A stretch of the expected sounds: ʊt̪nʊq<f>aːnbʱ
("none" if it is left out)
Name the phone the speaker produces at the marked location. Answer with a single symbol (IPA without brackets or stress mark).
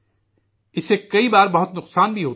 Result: s